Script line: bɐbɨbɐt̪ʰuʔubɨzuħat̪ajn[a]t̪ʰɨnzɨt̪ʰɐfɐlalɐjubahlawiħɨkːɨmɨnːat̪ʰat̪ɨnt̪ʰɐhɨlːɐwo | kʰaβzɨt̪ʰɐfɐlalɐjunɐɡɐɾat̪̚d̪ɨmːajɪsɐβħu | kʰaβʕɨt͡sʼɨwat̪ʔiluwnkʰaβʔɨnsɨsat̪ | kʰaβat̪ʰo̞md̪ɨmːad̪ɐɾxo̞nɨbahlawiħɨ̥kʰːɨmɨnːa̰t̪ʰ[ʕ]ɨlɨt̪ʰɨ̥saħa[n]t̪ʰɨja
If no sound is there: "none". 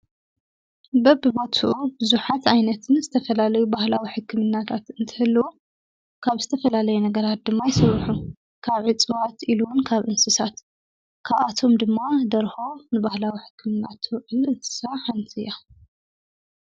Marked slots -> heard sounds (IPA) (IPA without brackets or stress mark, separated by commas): ɐ, ʕ, n